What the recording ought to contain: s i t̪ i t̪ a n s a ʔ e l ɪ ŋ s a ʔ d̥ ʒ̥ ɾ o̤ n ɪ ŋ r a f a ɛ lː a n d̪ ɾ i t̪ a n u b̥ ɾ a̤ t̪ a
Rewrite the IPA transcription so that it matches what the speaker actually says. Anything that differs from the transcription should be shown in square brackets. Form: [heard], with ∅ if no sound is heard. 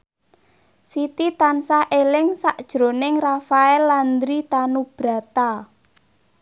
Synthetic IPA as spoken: s i t̪ i t̪ a n s a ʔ e l ɪ ŋ s a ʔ d̥ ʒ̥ ɾ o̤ n ɪ ŋ r a f a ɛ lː a n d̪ ɾ i t̪ a n u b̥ ɾ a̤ t̪ a